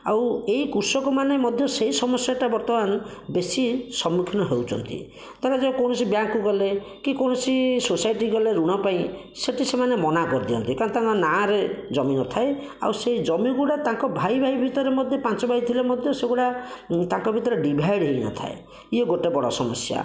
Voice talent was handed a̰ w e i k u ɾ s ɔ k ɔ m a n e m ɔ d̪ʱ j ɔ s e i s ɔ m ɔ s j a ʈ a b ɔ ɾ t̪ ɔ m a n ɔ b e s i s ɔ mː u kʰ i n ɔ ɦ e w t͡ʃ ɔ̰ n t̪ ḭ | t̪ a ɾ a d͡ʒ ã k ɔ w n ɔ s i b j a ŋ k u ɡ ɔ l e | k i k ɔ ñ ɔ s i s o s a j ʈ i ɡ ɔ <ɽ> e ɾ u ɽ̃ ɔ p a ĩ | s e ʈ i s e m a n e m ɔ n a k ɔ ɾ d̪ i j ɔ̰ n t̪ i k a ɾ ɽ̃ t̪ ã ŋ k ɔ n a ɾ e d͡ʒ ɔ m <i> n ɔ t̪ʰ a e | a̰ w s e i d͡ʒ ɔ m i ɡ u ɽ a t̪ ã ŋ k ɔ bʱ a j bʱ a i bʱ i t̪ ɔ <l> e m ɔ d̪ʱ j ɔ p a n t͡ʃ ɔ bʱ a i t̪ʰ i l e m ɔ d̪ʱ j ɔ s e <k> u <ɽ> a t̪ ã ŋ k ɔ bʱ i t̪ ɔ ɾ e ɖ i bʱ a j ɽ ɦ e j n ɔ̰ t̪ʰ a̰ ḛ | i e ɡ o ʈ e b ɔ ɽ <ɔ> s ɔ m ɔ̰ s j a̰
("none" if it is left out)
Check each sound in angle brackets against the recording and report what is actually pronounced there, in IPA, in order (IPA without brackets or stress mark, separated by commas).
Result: l, i, ɾ, ɡ, ɽ, ɔ